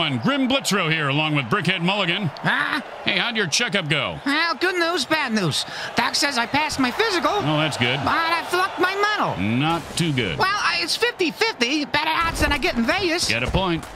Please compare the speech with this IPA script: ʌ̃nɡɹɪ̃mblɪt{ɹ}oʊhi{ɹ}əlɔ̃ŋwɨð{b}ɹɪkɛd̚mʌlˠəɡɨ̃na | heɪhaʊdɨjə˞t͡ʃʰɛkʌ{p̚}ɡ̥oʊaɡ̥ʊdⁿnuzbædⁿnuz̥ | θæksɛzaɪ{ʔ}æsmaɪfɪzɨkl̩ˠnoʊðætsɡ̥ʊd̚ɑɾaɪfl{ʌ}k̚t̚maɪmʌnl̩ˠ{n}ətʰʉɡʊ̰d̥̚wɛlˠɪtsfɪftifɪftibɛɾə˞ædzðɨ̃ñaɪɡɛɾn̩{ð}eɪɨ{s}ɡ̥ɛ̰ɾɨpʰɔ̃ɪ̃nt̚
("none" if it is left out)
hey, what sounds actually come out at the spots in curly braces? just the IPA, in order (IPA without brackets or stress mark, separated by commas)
ɹ, ɹ, b, p̚, p, ʌ, n, v, s